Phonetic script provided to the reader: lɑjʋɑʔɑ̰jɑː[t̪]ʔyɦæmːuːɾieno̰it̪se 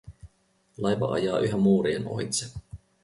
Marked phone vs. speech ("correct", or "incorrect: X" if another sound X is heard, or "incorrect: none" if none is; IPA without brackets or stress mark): incorrect: none